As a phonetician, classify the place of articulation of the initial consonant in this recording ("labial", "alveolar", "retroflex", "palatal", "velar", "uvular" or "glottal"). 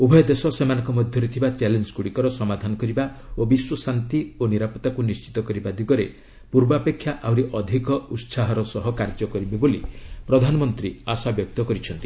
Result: labial